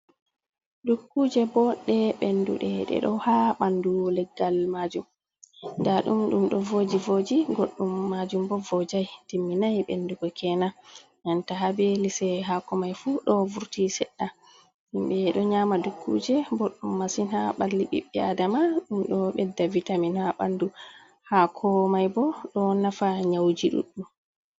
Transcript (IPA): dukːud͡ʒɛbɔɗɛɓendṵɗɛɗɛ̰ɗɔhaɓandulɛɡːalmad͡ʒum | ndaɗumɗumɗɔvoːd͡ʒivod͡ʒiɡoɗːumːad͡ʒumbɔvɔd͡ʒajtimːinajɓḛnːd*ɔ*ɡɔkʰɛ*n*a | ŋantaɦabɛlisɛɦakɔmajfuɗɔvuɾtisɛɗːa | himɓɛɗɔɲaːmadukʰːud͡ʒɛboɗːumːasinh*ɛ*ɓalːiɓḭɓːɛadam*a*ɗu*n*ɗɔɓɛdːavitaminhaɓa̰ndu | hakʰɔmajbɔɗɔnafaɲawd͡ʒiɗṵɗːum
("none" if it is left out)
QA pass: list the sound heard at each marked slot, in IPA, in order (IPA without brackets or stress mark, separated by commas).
u, n, a, a, m